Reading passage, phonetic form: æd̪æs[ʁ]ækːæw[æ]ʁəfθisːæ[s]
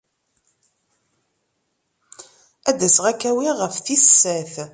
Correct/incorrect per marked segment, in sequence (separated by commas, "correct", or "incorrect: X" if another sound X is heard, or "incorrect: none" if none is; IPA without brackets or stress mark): correct, incorrect: i, incorrect: θ